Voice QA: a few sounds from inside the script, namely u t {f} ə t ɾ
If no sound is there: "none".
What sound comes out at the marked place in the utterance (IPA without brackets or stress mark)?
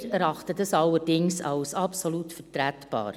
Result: f